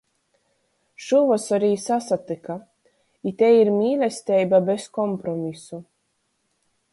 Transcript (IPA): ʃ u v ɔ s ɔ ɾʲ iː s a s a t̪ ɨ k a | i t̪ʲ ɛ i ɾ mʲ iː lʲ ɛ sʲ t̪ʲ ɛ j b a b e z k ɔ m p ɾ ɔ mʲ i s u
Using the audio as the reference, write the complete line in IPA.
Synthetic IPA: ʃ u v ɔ s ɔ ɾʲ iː s a s a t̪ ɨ k a | i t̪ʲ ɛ i ɾ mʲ iː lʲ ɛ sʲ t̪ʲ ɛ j b a b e s k ɔ m p ɾ ɔ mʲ i s u

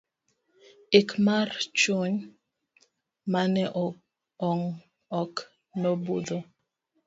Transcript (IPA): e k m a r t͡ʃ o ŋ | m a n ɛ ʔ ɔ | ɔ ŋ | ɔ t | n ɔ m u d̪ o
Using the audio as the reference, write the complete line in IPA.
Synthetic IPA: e k m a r t͡ʃ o ɲ | m a n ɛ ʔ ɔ | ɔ ŋ | ɔ k | n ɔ b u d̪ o

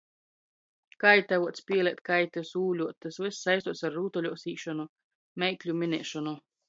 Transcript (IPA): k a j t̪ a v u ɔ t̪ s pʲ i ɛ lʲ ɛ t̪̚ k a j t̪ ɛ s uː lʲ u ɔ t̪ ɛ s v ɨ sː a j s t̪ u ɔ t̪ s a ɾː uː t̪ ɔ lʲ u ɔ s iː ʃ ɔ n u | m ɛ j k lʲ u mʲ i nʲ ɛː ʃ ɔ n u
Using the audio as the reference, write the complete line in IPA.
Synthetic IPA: k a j t̪ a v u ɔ t̪ s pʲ i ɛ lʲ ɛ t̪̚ k a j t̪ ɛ s uː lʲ u ɔ t̪ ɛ s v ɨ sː a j s t̪ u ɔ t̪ s a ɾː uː t̪ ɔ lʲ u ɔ s iː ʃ ɔ n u | m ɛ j k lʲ u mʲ i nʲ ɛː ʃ ɔ n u

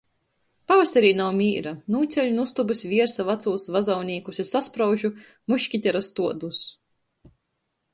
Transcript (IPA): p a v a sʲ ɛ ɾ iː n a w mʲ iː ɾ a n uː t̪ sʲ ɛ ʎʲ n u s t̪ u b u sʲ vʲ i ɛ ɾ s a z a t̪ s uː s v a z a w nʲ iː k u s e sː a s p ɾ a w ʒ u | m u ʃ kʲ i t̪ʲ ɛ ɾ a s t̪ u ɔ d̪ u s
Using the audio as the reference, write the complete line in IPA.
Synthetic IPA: p a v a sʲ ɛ ɾ iː n a w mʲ iː ɾ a n uː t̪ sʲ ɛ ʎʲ n u s t̪ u b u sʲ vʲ i ɛ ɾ s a v a t̪ s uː s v a z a w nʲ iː k u s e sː a s p ɾ a w ʒ u | m u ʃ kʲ i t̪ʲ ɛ ɾ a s t̪ u ɔ d̪ u s

